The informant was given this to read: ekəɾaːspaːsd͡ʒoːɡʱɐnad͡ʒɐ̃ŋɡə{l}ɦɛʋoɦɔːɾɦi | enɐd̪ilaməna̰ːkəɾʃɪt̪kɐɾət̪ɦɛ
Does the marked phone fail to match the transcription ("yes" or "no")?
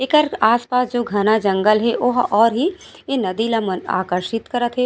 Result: no